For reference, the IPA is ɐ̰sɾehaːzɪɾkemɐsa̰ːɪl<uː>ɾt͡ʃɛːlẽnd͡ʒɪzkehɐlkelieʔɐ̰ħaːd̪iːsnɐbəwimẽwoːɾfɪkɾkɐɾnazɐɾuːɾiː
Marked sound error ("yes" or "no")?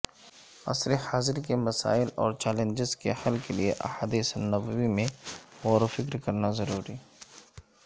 yes